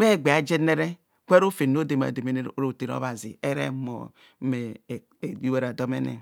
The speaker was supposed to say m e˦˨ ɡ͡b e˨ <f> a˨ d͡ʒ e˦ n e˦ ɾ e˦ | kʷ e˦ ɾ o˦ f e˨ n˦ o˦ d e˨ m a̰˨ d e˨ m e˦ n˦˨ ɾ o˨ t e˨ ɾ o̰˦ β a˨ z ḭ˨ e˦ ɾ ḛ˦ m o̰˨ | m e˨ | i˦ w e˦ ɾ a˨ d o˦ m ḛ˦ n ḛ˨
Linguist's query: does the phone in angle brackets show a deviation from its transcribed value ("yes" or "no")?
yes